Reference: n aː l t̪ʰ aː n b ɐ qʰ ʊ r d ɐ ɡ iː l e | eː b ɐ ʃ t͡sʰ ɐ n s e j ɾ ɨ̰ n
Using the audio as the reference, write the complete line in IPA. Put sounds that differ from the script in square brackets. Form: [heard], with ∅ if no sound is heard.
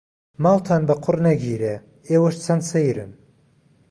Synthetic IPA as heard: [m] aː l t̪ʰ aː n b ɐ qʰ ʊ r [n] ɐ ɡ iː [ɾ] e | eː [w] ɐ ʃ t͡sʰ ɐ n s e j ɾ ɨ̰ n